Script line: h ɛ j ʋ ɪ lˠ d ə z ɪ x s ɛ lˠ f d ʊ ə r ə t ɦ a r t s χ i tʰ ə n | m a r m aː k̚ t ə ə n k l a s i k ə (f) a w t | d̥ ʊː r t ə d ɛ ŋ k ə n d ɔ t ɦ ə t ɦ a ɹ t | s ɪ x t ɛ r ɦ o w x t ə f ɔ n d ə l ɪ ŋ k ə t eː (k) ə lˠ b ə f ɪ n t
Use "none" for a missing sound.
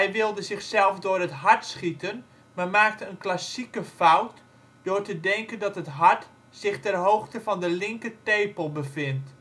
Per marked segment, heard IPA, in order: f, p

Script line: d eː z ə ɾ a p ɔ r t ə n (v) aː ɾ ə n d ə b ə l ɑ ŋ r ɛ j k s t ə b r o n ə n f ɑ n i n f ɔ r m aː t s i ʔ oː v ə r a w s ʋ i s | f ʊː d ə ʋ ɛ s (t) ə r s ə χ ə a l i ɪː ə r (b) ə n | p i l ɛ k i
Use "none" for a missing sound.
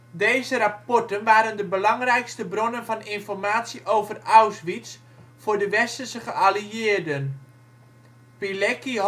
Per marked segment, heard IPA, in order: ʋ, t, d

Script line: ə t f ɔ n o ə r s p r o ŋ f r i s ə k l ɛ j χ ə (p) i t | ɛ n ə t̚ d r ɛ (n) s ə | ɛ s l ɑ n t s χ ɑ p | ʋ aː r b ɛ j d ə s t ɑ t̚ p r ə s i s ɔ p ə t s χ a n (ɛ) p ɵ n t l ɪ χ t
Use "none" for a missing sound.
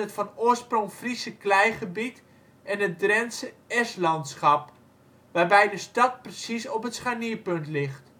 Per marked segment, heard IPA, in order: b, n, i

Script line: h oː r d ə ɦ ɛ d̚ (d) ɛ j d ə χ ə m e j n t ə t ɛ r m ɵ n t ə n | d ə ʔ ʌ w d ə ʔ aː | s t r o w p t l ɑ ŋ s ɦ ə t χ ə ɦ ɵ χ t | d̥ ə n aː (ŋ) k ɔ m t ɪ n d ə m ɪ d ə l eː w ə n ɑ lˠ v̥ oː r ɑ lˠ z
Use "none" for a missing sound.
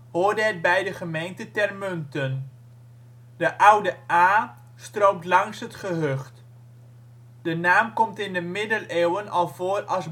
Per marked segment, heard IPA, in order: b, m

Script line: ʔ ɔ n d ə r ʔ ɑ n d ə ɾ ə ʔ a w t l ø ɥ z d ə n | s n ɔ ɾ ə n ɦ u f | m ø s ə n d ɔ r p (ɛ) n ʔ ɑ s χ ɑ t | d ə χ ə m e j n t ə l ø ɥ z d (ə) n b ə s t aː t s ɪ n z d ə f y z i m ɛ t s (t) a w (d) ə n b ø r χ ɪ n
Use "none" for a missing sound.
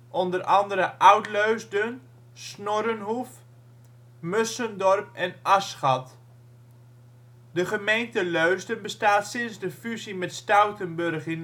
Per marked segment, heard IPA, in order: ɛ, ə, t, t

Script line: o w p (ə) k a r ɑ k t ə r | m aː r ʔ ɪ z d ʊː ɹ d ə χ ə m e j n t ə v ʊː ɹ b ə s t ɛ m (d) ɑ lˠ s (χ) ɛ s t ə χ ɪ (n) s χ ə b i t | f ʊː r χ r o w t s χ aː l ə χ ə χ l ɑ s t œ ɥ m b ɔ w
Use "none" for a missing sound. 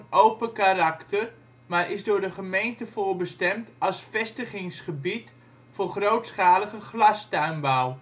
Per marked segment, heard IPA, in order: ə, t, f, ŋ

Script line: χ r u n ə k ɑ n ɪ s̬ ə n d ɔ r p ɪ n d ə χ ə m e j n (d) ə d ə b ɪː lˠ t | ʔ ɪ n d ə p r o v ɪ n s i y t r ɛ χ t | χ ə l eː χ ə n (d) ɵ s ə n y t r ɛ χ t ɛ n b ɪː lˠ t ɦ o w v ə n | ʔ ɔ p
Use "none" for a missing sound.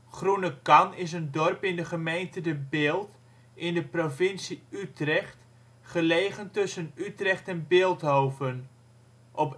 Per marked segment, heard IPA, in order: t, t

